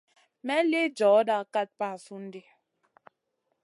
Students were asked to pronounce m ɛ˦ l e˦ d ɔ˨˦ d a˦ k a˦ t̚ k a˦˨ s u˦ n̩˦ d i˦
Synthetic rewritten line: m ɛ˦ l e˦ d͡ʒ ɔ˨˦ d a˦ k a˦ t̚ p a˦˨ s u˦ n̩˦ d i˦